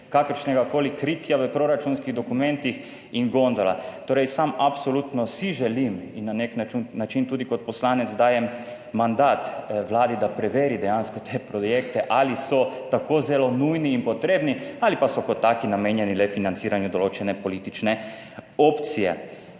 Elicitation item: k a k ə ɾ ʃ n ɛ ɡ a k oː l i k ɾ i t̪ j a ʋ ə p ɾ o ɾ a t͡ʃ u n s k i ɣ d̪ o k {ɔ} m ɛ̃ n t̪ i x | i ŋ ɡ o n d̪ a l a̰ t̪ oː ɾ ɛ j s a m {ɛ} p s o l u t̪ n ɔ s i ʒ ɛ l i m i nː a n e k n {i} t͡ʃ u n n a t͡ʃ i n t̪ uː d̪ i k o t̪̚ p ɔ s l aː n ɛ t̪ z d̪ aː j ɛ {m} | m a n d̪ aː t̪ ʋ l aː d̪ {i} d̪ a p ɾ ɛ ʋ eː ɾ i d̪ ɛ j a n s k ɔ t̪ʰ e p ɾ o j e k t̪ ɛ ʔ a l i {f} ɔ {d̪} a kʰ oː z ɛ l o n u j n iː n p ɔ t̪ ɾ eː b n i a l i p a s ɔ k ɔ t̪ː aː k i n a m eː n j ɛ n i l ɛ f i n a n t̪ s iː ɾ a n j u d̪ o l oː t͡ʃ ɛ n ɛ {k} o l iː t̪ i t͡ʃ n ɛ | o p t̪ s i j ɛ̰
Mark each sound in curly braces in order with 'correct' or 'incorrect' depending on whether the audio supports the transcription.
incorrect: u, incorrect: a, incorrect: a, correct, correct, incorrect: s, incorrect: t̪, incorrect: p

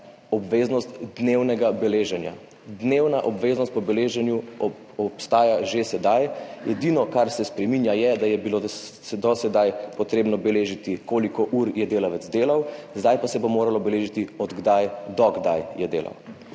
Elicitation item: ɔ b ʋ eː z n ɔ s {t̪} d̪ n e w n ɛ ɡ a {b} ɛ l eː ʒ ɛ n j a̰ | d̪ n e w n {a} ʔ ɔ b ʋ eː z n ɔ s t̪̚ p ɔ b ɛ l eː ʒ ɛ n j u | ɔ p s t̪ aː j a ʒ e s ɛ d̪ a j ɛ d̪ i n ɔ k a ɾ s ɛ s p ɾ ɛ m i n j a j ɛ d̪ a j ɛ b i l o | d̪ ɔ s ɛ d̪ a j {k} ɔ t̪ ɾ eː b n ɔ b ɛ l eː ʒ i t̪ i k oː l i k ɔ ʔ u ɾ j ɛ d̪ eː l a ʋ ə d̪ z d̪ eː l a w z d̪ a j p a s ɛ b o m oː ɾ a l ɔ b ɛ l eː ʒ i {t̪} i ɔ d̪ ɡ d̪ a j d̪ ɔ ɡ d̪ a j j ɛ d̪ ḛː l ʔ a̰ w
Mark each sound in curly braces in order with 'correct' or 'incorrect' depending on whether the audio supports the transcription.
correct, correct, correct, incorrect: p, correct

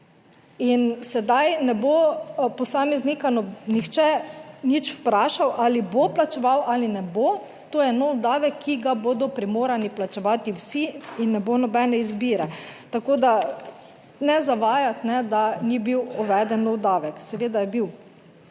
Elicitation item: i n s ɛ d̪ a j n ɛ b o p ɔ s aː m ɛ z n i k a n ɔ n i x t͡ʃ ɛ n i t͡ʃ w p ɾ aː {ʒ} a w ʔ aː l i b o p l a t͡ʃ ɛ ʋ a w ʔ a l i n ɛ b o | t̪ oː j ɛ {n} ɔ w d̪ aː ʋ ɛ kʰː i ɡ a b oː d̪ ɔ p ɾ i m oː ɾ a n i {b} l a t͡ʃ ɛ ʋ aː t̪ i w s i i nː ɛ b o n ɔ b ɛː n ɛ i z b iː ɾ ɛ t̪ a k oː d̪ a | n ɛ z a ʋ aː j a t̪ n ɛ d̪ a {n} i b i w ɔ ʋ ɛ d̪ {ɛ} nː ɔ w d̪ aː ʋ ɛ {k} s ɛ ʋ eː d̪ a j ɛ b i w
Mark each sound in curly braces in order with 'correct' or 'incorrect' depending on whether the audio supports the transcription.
incorrect: ʃ, correct, incorrect: p, correct, correct, correct

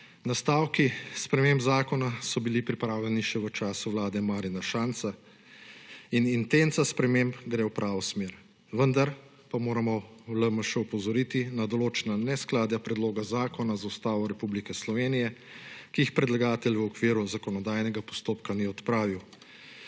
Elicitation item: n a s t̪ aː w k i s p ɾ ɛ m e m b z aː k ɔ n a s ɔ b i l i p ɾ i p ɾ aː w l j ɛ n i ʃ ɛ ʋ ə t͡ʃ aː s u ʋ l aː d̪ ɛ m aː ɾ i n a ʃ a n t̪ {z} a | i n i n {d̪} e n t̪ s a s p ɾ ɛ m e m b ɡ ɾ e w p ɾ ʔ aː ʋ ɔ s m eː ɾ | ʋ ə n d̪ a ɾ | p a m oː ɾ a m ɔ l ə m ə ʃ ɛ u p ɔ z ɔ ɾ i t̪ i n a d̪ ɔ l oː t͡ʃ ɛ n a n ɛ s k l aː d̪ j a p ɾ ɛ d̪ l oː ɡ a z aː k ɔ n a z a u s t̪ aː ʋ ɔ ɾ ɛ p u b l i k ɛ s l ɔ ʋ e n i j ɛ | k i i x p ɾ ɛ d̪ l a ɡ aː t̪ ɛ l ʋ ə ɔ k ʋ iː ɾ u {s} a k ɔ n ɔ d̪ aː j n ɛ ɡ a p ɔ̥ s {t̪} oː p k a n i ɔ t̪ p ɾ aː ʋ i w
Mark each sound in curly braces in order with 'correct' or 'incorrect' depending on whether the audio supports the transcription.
incorrect: s, incorrect: t̪, incorrect: z, correct

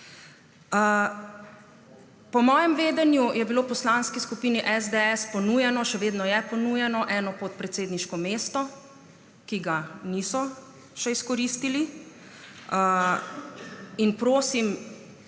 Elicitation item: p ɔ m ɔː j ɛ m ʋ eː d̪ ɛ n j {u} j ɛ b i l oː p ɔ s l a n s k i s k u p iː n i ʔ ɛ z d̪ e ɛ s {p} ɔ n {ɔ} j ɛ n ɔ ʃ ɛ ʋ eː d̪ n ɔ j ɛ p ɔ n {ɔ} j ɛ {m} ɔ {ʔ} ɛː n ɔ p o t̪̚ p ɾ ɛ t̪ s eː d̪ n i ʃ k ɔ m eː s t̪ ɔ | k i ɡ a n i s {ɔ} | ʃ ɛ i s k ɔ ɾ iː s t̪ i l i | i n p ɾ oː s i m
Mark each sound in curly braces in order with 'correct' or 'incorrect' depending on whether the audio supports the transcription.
correct, correct, incorrect: u, incorrect: u, incorrect: n, correct, correct

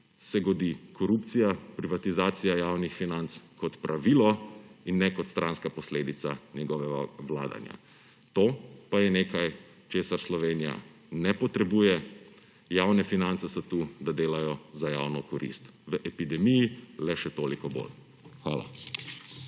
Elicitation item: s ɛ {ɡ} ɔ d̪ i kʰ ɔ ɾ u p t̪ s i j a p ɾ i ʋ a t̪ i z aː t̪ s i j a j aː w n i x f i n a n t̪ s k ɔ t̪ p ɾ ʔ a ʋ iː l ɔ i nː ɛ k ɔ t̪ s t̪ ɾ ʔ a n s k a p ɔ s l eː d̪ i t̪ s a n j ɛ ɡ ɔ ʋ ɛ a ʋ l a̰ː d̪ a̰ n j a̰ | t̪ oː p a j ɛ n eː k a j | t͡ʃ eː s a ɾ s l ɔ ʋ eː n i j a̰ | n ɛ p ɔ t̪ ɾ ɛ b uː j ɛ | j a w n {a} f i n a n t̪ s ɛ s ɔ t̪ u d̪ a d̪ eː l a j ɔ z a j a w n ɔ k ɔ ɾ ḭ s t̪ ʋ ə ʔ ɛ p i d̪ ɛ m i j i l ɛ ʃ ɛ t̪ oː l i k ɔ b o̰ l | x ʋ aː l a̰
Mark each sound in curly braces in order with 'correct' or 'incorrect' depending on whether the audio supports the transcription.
correct, incorrect: ɛ

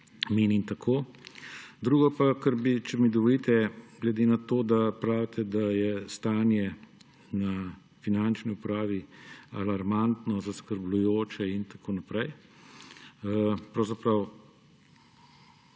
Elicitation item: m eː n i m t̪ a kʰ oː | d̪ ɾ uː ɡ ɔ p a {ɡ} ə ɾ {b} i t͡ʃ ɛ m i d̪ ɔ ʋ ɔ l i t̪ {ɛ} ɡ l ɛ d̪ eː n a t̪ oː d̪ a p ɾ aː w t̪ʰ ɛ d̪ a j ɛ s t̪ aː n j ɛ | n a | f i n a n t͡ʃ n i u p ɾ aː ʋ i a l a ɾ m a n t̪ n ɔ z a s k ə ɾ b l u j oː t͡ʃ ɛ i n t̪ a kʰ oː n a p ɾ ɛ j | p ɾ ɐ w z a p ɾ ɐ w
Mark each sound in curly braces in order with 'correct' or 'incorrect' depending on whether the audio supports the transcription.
incorrect: k, correct, correct

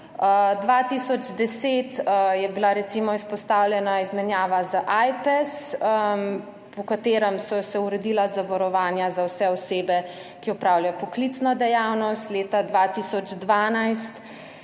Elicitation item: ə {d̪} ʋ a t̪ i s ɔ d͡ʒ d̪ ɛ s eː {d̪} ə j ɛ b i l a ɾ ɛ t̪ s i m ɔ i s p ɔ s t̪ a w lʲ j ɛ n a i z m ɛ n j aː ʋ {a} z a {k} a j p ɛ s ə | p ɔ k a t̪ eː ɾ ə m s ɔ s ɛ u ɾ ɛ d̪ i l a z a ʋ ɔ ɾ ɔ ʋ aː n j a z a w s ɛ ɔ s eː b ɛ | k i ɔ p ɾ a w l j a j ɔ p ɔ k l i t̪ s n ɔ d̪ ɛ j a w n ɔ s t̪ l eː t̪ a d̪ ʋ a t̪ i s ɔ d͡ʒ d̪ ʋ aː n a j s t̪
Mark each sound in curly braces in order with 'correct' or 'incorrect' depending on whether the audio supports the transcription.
correct, incorrect: t̪, correct, incorrect: ʔ

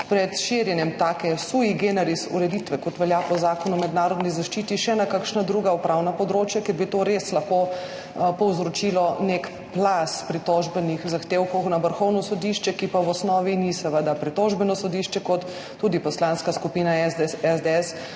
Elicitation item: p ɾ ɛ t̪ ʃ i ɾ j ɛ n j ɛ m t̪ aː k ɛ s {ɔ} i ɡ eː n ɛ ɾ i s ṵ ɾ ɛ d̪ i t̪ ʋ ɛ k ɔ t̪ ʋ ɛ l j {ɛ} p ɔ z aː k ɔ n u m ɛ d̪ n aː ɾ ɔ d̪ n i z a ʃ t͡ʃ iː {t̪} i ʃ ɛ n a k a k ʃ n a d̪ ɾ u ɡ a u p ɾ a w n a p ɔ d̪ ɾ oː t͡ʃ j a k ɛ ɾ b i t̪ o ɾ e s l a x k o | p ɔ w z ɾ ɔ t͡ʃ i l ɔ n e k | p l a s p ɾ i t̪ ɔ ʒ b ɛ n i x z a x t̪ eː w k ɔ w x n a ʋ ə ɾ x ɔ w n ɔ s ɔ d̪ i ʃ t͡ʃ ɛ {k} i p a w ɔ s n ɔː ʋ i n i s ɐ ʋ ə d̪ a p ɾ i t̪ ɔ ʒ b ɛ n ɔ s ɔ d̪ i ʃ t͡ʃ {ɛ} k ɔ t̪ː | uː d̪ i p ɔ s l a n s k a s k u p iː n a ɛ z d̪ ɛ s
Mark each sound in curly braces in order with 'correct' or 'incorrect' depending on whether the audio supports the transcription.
incorrect: u, incorrect: a, correct, correct, correct

